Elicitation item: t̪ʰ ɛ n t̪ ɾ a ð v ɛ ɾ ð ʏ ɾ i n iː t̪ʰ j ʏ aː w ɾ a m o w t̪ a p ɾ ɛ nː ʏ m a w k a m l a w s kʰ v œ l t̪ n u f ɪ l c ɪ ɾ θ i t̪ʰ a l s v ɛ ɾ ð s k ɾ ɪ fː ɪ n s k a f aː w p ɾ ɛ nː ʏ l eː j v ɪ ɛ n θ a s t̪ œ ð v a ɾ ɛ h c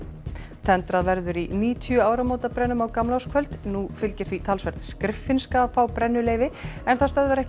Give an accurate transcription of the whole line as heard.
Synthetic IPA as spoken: t̪ʰ ɛ n t̪ ɾ a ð v ɛ ɾ ð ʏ ɾ i n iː t̪ʰ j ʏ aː w ɾ a m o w t̪ a p ɾ ɛ nː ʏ m a w k a m l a w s kʰ v œ l t̪ n u f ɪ l c ɪ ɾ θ i t̪ʰ a l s v ɛ ɾ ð s k ɾ ɪ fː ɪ n s k a f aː w p ɾ ɛ nː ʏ l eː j v ɪ ɛ n θ a s t̪ œ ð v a ɾ ɛ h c